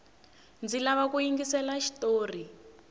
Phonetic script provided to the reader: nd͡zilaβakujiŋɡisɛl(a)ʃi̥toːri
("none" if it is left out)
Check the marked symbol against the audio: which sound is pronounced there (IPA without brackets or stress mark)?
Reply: a